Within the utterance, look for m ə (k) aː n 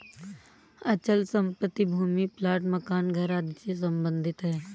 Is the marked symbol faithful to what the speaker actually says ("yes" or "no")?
yes